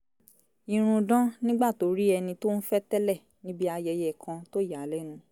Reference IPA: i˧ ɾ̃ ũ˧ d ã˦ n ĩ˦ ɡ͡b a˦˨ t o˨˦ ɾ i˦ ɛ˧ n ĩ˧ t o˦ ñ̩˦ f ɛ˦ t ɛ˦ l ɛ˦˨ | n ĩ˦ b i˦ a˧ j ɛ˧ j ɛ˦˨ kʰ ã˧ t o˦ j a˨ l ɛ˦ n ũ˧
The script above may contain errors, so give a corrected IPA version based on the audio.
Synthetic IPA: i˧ ɾ̃ ũ˧ d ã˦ n ĩ˦ ɡ͡b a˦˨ t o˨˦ ɾ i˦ ɛ˧ n ĩ˧ t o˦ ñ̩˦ f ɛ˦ t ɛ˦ l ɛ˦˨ | n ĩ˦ b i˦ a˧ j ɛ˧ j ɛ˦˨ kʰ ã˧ t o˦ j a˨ l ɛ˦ n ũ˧